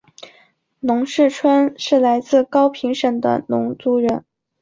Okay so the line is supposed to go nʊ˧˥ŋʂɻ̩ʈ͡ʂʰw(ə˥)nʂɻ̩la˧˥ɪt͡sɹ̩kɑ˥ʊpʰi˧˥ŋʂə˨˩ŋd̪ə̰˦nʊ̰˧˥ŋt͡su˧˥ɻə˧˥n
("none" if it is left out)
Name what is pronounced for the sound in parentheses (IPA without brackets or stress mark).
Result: ə˥